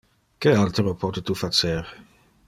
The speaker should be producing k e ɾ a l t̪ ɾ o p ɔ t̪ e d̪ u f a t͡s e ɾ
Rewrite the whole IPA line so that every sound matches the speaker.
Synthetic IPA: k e a l t̪ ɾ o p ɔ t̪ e t̪ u f a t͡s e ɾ